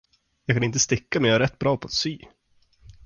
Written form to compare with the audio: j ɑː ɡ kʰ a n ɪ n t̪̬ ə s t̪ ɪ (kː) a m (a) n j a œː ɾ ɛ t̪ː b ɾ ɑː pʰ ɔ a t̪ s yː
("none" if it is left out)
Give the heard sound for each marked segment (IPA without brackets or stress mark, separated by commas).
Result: kː, ɛ